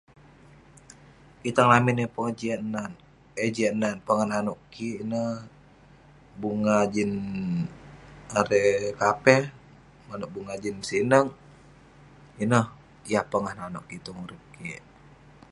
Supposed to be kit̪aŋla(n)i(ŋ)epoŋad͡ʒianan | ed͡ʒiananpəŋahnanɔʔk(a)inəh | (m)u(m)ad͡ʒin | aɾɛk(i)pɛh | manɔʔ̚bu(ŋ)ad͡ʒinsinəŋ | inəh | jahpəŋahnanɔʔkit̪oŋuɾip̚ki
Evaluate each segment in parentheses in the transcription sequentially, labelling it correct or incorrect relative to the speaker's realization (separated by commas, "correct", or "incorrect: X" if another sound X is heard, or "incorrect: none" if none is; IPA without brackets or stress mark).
incorrect: m, incorrect: n, incorrect: i, incorrect: b, incorrect: ŋ, incorrect: a, correct